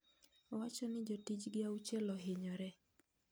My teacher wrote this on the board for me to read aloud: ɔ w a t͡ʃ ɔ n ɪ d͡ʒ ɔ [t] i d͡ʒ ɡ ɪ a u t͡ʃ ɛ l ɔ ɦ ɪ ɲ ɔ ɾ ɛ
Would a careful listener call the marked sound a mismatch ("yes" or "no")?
no